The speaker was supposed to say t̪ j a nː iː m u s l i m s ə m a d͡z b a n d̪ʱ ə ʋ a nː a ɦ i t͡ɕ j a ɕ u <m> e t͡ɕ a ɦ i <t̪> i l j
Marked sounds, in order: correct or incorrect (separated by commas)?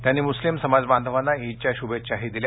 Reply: incorrect, incorrect